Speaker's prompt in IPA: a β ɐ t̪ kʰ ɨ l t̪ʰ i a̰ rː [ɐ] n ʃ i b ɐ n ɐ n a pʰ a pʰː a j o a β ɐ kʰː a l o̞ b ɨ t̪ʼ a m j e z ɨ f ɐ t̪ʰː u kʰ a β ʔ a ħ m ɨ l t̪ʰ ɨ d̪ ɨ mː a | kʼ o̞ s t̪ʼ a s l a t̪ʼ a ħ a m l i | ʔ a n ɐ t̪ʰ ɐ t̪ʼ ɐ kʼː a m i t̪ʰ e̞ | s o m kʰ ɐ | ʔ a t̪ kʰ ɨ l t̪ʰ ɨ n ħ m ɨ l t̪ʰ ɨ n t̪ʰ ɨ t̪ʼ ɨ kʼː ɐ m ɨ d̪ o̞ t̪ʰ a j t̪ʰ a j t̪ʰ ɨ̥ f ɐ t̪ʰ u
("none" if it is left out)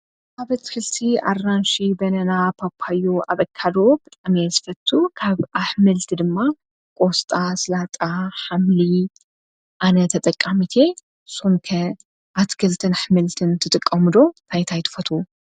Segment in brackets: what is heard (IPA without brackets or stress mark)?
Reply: a